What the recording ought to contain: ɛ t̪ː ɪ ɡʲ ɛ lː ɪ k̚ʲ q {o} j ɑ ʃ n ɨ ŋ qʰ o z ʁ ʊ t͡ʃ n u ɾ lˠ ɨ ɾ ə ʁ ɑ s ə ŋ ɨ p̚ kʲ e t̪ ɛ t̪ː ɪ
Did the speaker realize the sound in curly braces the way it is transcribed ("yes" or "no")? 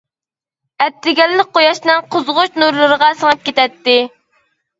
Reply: yes